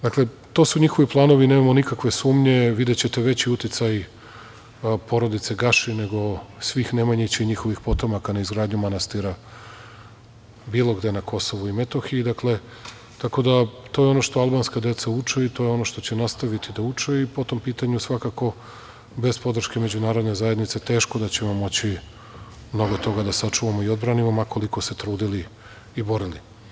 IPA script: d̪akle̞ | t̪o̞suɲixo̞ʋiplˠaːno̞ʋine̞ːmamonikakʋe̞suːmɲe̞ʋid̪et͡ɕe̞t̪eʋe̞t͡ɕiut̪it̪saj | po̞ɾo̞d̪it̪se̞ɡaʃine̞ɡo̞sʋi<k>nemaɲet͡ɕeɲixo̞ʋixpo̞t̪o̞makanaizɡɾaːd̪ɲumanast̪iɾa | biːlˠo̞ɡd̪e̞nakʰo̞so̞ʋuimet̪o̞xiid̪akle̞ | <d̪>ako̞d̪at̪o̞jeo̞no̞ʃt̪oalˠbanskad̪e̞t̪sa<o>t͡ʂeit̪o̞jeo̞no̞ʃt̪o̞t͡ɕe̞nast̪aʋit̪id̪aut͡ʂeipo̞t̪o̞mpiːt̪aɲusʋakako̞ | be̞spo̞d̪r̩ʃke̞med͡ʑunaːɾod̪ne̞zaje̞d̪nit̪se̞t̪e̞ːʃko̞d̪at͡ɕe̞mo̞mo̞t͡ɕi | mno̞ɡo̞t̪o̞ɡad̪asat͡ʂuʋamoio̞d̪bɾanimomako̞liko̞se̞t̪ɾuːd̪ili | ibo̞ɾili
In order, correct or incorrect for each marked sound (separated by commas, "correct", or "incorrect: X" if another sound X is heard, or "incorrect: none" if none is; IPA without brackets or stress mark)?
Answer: incorrect: x, incorrect: t̪, incorrect: u